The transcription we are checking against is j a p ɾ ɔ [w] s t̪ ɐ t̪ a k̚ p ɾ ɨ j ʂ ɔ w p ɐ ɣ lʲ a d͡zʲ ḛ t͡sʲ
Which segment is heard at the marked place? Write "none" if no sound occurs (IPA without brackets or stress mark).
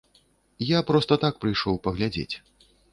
none